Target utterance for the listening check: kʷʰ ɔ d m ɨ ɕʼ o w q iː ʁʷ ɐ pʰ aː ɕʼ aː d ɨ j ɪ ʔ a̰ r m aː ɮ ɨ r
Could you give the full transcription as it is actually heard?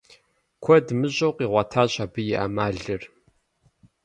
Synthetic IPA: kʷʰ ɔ d m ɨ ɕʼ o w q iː ʁʷ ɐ tʰ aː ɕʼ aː b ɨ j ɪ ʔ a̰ m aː ɮ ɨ r

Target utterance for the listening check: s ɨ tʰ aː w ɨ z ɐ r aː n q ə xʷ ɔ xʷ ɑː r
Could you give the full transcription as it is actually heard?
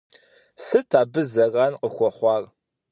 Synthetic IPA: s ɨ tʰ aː b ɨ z ɐ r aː n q ə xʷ ɔ χʷ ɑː r

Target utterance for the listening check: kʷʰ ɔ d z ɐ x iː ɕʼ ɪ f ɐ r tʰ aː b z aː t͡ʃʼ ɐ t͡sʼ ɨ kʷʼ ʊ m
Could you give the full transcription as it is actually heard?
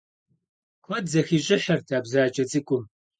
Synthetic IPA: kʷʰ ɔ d z ɐ x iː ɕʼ ɪ ħ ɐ r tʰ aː b z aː t͡ʃʼ ɐ t͡sʼ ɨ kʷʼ ʊ m

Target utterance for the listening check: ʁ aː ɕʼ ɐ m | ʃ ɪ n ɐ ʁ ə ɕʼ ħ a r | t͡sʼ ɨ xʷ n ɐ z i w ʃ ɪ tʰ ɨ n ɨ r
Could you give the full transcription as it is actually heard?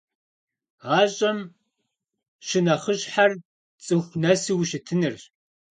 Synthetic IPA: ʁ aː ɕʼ ɐ m | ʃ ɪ n ɐ χ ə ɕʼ ħ a r | t͡sʼ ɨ xʷ n ɐ s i w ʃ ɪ tʰ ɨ n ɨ r

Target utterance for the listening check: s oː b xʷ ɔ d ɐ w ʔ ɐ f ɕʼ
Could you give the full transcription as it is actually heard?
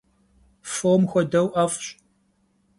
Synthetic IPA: f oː m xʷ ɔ d ɐ w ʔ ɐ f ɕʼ

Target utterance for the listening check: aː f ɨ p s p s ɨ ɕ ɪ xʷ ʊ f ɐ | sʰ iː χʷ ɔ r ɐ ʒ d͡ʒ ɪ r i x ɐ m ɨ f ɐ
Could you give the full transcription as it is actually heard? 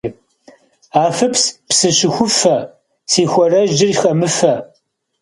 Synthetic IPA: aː f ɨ p s p s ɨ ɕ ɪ xʷ ʊ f ɐ | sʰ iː xʷ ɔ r ɐ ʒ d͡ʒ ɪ r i x ɐ m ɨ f ɐ

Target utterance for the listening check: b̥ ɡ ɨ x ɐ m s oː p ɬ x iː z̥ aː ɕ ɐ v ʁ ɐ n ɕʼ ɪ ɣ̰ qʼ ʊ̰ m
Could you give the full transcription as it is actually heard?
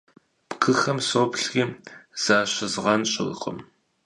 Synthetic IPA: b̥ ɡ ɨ x ɐ m s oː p ɬ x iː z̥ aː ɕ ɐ z ʁ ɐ n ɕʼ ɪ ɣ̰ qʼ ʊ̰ m

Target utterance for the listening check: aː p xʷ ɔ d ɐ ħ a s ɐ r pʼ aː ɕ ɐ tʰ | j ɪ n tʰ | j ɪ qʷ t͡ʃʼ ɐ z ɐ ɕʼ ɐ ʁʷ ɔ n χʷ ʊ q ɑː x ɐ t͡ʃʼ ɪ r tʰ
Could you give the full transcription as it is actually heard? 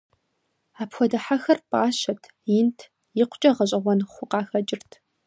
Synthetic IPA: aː p xʷ ɔ d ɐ ħ a x ɐ r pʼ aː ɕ ɐ tʰ | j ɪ n tʰ | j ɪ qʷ t͡ʃʼ ɐ ʁ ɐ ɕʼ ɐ ʁʷ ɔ n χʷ ʊ q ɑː x ɐ t͡ʃʼ ɪ r tʰ

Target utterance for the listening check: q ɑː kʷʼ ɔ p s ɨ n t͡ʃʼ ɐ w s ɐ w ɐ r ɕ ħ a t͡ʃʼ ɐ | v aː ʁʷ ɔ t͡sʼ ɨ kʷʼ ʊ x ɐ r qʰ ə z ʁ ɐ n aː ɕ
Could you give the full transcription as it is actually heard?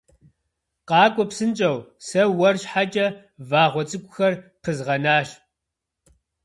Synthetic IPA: q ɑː kʷʼ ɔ p s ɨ n t͡ʃʼ ɐ w s ɐ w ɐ r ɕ ħ a t͡ʃʼ ɐ | v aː ʁʷ ɔ t͡sʼ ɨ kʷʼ ʊ x ɐ r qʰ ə z ʁ ɐ n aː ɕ

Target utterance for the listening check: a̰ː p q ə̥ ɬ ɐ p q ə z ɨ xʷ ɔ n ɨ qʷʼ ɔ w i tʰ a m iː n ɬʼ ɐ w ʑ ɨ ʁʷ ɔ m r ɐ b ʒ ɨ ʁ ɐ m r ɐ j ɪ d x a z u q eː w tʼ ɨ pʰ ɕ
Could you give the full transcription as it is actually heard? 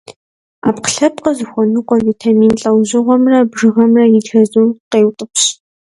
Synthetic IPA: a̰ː p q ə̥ ɬ ɐ p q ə z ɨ xʷ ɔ n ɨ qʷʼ ɔ v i tʰ a m iː n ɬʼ ɐ w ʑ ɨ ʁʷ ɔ m r ɐ b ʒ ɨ ʁ ɐ m r ɐ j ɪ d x ɐ z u q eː w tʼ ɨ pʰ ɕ

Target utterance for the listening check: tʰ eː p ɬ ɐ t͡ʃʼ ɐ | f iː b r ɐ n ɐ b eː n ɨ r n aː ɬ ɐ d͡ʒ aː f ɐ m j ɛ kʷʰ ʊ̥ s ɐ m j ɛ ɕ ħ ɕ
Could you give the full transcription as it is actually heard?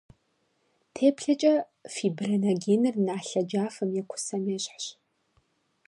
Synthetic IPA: tʰ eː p ɬ ɐ t͡ʃʼ ɐ | f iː b r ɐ n ɐ ɡ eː n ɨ r n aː ɬ ɐ d͡ʒ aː f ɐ m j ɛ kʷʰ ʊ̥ s ɐ m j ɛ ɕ ħ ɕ

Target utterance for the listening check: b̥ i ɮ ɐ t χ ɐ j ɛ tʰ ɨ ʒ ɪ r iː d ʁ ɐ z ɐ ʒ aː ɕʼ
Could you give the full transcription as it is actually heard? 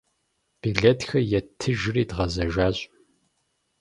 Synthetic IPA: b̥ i ɮ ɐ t x ɐ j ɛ tʰ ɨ ʒ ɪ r iː d ʁ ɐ z ɐ ʒ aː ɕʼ

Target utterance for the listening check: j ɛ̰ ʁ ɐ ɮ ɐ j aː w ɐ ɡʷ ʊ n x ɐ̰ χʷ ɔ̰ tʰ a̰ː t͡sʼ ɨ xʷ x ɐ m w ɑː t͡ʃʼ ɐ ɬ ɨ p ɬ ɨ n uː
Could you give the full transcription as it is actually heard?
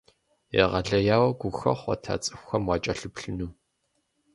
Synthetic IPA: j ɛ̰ ʁ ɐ ɮ ɐ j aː w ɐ ɡʷ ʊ x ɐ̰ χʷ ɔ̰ tʰ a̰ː t͡sʼ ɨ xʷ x ɐ m w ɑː t͡ʃʼ ɐ ɬ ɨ p ɬ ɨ n uː

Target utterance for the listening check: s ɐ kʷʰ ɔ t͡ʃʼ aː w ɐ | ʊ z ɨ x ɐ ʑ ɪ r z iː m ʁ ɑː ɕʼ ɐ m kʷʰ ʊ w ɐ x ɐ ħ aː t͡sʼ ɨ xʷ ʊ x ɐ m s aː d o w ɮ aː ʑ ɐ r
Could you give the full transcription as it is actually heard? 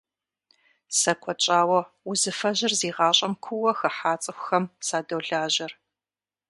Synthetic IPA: s ɐ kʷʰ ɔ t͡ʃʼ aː w ɐ | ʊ z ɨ f ɐ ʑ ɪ r z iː ʁ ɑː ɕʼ ɐ m kʷʰ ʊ w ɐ x ɐ ħ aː t͡sʼ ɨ xʷ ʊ x ɐ m s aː d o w ɮ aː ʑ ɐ r

